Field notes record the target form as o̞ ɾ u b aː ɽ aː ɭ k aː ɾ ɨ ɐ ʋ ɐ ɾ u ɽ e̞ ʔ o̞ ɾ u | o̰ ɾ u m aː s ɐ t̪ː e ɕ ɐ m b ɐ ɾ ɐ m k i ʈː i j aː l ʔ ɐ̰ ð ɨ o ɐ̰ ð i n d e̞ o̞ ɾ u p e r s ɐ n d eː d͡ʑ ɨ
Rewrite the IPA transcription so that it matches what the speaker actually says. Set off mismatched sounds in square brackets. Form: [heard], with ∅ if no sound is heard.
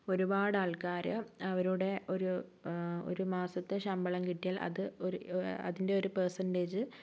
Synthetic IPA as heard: o̞ ɾ u b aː ɽ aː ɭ k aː ɾ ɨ ɐ ʋ ɐ ɾ u ɽ e̞ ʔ o̞ ɾ u | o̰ ɾ u m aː s ɐ t̪ː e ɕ ɐ m b ɐ [ɭ] ɐ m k i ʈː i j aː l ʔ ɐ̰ ð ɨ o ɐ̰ ð i n d e̞ o̞ ɾ u p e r s ɐ n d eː d͡ʑ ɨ